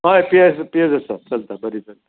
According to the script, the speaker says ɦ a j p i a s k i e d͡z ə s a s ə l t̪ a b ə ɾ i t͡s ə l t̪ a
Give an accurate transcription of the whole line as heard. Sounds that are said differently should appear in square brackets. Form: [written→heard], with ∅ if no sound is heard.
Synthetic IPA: ɦ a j p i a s [k→p] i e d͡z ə s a [s→t͡s] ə l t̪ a b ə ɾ i t͡s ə l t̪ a